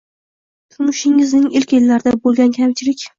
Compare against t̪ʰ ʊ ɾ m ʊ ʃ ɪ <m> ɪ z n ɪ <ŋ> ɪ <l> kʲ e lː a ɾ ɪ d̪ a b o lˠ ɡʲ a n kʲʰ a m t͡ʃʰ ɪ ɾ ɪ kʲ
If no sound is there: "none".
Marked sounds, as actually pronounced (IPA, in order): ŋ, ŋ, l

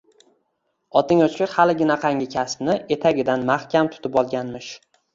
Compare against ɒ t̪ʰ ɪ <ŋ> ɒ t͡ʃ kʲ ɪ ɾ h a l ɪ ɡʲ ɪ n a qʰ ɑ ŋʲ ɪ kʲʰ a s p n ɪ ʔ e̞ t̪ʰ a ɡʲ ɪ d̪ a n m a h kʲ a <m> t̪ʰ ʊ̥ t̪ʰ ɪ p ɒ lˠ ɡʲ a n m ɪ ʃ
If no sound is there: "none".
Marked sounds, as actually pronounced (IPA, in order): ŋ, m

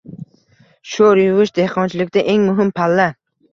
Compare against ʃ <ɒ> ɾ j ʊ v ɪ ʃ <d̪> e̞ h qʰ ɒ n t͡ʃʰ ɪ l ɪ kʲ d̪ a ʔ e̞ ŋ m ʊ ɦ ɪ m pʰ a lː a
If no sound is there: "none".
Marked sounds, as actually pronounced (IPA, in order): o, d̪

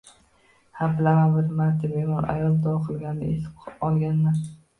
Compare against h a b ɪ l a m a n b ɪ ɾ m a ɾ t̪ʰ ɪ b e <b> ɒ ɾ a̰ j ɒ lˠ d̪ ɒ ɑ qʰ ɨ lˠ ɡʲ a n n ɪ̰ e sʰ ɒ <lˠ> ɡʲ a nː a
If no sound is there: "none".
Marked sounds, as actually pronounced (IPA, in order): m, lˠ

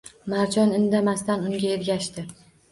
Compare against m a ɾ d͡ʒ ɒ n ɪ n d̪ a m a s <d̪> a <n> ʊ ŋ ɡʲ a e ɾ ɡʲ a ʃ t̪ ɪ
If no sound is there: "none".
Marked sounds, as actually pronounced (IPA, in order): t̪, n

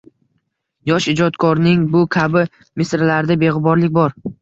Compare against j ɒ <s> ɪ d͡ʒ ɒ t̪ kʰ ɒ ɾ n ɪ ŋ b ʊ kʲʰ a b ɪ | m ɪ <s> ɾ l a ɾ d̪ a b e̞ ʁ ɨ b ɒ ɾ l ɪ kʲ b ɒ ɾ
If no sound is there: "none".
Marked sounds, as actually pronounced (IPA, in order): ʃ, s

